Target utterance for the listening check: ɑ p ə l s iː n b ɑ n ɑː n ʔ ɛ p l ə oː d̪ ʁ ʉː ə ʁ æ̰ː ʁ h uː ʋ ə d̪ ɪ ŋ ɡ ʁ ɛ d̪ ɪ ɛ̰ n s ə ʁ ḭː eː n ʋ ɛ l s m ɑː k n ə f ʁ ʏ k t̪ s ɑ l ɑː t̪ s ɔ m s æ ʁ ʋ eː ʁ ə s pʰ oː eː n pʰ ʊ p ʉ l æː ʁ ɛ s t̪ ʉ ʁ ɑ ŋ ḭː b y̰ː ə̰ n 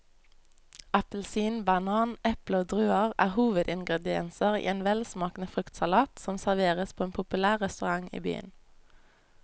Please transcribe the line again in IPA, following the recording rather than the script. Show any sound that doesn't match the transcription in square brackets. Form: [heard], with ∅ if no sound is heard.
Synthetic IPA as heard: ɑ p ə l s iː n b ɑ n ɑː n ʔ ɛ p l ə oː d̪ ʁ ʉː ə ʁ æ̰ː ʁ h uː ʋ ə d̪ ɪ ŋ ɡ ʁ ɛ d̪ ɪ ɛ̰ n s ə ʁ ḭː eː n ʋ ɛ l s m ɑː k n ə f ʁ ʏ k t̪ s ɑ l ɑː t̪ s ɔ m s æ ʁ ʋ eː ʁ ə s pʰ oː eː n pʰ ʊ p ʉ l æː ʁ ɛ s t̪ ʉ ʁ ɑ ŋ ḭː b y̰ː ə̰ n